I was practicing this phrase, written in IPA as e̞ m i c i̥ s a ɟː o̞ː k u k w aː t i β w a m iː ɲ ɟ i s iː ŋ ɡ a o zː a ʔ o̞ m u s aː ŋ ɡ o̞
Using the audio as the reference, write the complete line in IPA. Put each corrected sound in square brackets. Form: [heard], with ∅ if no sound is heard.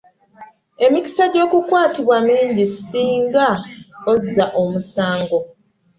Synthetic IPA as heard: e̞ m i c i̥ s a [ɟ] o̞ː k u k w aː t i β w a m iː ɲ ɟ i s iː ŋ ɡ a o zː a ʔ o̞ m u s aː ŋ ɡ o̞